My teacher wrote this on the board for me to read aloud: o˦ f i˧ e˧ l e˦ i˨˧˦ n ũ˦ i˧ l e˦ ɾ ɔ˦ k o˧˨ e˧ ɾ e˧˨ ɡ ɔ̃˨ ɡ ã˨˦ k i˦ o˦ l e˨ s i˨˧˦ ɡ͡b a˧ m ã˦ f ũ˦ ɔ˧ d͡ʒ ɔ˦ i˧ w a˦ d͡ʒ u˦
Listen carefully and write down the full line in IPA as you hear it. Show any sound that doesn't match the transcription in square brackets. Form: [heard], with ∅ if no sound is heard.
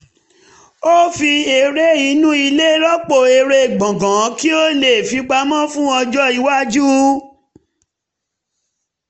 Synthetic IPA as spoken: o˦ f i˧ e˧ [ɾ] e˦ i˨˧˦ n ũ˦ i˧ l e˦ ɾ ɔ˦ [k͡p] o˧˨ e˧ ɾ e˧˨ [ɡ͡b] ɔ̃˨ ɡ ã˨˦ k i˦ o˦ l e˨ [f] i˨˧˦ ɡ͡b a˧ m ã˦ f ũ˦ ɔ˧ d͡ʒ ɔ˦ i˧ w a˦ d͡ʒ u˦